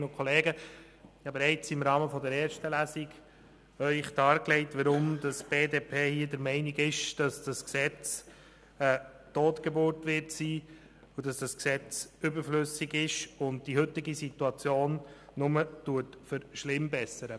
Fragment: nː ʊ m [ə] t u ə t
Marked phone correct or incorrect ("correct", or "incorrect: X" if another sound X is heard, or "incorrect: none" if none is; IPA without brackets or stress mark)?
correct